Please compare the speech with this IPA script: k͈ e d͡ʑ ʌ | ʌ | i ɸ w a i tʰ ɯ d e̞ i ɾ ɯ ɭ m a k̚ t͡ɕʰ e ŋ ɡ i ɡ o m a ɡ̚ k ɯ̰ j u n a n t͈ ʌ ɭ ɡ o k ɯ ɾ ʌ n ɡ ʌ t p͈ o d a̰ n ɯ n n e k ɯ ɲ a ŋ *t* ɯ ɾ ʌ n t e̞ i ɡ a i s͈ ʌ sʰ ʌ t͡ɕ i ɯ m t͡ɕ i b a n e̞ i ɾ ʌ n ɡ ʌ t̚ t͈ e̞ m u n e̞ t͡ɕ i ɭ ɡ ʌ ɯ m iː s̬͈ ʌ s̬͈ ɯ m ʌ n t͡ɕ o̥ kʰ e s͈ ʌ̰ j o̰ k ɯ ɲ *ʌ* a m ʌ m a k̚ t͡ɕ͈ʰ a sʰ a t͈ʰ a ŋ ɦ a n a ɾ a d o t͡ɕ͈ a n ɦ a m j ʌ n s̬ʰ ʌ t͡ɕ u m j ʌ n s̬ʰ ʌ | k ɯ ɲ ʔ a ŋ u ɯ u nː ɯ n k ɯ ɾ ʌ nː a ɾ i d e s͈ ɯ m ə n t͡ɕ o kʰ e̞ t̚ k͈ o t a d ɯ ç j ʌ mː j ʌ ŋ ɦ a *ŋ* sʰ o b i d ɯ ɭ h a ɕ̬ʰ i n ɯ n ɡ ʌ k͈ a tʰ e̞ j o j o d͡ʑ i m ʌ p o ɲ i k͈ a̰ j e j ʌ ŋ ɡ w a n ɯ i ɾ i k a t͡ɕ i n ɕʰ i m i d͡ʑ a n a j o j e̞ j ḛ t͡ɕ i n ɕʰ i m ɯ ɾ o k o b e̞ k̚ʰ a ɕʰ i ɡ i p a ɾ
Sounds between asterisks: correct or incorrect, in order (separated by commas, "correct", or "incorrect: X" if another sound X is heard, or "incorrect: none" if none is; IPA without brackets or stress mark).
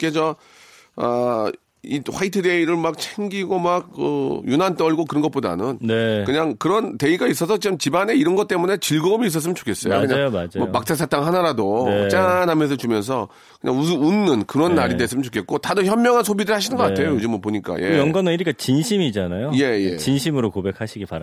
incorrect: k, incorrect: a, incorrect: n